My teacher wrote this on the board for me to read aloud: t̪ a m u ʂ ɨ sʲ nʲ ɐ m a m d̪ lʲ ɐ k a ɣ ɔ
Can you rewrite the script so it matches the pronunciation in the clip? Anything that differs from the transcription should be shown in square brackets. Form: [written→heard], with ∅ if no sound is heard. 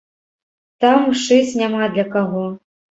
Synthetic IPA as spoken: t̪ a m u ʂ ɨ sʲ nʲ [ɐ→a] m a [m→∅] d̪ lʲ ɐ k a ɣ ɔ

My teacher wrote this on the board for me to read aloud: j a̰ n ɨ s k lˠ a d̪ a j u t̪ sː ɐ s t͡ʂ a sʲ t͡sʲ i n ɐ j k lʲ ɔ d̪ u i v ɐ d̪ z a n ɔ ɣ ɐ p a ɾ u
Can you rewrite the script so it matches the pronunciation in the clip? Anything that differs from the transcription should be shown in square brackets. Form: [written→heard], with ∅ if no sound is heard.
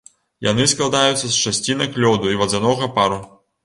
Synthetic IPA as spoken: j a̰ n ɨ s k lˠ a d̪ a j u t̪ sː ɐ s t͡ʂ a sʲ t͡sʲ i n ɐ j k lʲ ɔ d̪ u i v ɐ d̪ z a n ɔ ɣ ɐ p a ɾ u

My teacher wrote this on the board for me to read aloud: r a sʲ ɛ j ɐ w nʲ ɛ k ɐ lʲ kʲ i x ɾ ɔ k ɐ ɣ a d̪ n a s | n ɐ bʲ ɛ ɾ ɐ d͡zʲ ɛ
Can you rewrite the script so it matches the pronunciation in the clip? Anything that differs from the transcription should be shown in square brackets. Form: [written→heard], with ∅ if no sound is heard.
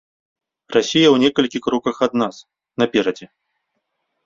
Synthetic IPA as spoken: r a sʲ [ɛ→i] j ɐ w nʲ ɛ k ɐ lʲ kʲ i x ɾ ɔ k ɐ [ɣ→x] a d̪ n a s | n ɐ [bʲ→pʲ] ɛ ɾ ɐ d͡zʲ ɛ

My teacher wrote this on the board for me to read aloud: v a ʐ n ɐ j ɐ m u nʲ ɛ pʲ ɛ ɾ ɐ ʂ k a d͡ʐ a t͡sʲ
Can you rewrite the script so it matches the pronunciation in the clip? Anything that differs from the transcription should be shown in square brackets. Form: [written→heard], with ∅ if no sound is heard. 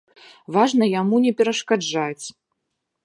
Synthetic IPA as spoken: v a ʐ n ɐ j [ɐ→a] m u nʲ ɛ pʲ ɛ ɾ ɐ ʂ k a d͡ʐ a t͡sʲ

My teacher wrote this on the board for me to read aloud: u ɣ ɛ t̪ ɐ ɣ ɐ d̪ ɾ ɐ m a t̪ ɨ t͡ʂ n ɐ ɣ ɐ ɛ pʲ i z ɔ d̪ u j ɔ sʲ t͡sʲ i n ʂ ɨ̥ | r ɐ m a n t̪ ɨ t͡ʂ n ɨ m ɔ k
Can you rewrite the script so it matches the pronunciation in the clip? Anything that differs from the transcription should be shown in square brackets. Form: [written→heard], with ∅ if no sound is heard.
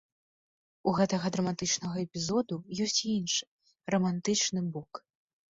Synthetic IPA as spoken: u ɣ ɛ t̪ ɐ ɣ ɐ d̪ ɾ ɐ m a t̪ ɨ t͡ʂ n ɐ ɣ ɐ ɛ pʲ i z ɔ d̪ u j ɔ sʲ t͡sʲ i n ʂ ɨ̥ | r ɐ m a n t̪ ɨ t͡ʂ n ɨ [m→b] ɔ k

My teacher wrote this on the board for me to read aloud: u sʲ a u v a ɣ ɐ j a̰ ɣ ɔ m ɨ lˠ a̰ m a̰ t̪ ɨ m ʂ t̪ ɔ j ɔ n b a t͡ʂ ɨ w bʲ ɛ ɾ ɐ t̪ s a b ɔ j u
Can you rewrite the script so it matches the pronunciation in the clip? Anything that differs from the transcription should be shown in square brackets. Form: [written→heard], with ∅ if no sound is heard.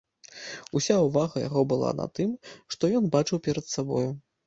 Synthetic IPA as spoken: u sʲ a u v a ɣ ɐ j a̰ ɣ ɔ [m→b] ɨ lˠ a̰ [m→n] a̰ t̪ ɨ m ʂ t̪ ɔ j ɔ n b a t͡ʂ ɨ w [bʲ→pʲ] ɛ ɾ ɐ t̪ s a b ɔ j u

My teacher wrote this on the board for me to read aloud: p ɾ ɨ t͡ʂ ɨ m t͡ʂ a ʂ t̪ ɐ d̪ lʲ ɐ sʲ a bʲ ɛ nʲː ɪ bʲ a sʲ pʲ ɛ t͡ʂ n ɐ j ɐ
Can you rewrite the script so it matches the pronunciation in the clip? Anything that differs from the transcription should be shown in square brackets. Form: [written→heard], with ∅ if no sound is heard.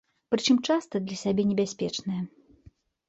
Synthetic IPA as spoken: p ɾ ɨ t͡ʂ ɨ m t͡ʂ a [ʂ→s] t̪ ɐ d̪ lʲ ɐ sʲ a bʲ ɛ [nʲː→nʲ] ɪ bʲ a sʲ pʲ ɛ t͡ʂ n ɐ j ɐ

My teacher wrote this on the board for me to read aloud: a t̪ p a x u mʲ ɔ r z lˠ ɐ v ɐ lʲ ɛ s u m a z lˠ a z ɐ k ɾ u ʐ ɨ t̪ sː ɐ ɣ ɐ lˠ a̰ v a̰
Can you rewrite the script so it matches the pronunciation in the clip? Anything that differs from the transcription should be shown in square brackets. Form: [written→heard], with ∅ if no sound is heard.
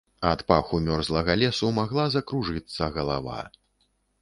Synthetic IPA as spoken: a t̪ p a x u mʲ ɔ r z lˠ ɐ [v→ɣ] ɐ lʲ ɛ s u m a [z→ɣ] lˠ a z ɐ k ɾ u ʐ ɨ t̪ sː ɐ ɣ ɐ lˠ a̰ v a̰

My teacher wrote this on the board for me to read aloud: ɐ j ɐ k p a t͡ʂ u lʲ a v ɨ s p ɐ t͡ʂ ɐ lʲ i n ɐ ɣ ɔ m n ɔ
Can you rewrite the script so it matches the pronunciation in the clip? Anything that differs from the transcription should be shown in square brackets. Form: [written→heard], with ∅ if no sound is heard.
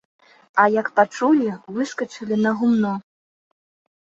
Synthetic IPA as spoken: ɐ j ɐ k p a t͡ʂ u lʲ [a→i] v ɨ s [p→k] ɐ t͡ʂ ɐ lʲ i n ɐ ɣ [ɔ→u] m n ɔ

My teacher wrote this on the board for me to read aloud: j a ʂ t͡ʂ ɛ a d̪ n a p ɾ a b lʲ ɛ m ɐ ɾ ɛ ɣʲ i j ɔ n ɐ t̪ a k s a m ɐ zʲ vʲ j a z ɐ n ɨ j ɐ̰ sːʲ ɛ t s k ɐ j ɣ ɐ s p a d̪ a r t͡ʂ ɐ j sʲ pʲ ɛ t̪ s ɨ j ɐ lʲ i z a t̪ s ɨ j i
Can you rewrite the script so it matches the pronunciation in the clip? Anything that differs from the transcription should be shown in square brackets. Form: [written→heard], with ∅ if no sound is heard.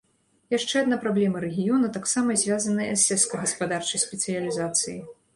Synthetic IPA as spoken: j a ʂ t͡ʂ ɛ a d̪ n a p ɾ a b lʲ ɛ m ɐ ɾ ɛ ɣʲ i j ɔ n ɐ t̪ a k s a m ɐ zʲ vʲ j a z ɐ n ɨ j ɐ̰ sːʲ ɛ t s k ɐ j ɣ ɐ s p a d̪ a r t͡ʂ ɐ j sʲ pʲ ɛ t̪ s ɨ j ɐ lʲ i z a t̪ s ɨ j i

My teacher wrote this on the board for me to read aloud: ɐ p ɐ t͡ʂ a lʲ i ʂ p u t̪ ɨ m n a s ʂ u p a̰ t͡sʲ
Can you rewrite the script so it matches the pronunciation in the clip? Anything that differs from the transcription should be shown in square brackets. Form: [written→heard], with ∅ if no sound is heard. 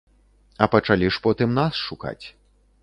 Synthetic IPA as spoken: ɐ p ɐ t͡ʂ a lʲ i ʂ p [u→ɔ] t̪ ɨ m n a s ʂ u [p→k] a̰ t͡sʲ

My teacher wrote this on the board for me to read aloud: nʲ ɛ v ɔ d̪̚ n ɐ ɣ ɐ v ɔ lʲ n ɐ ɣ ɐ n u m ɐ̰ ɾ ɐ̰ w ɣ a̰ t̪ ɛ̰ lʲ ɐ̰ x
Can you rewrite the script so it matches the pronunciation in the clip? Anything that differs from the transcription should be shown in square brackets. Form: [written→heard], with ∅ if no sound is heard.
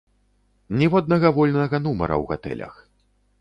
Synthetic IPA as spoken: nʲ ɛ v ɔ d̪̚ n ɐ ɣ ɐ v ɔ lʲ n ɐ ɣ ɐ n u m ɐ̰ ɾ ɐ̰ w ɣ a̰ t̪ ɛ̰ lʲ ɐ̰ x

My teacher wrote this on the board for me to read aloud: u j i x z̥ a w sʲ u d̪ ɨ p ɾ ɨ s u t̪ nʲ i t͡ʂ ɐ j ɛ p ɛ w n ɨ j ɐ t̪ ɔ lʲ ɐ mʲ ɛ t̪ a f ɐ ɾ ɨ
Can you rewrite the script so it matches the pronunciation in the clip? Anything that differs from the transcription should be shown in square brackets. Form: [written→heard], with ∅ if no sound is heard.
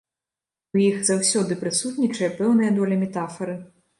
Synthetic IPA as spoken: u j i x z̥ a w sʲ [u→ɔ] d̪ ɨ p ɾ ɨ s u t̪ nʲ i t͡ʂ ɐ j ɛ p ɛ w n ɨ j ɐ [t̪→d̪] ɔ lʲ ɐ mʲ ɛ t̪ a f ɐ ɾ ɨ

